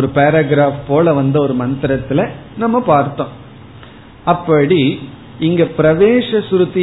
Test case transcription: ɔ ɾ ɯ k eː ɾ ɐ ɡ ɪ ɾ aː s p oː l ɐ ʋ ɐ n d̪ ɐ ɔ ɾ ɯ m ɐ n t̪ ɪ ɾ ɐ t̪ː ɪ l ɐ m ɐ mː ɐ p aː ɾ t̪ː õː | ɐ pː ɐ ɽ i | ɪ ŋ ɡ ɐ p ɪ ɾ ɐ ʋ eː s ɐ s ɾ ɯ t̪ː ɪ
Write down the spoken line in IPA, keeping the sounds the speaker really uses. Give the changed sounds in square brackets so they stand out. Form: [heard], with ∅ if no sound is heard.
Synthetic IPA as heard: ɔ ɾ ɯ [p] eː ɾ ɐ ɡ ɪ ɾ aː [f] p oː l ɐ ʋ ɐ n d̪ ɐ ɔ ɾ ɯ m ɐ n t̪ ɪ ɾ ɐ t̪ː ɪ l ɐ [n] ɐ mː ɐ p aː ɾ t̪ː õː | ɐ pː ɐ ɽ i | ɪ ŋ ɡ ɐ p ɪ ɾ ɐ ʋ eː [ʂ] ɐ s ɾ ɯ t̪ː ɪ